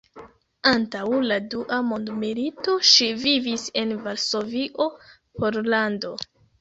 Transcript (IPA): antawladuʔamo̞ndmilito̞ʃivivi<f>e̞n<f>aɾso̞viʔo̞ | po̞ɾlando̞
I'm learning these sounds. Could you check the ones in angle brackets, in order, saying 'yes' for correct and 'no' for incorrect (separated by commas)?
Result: no, no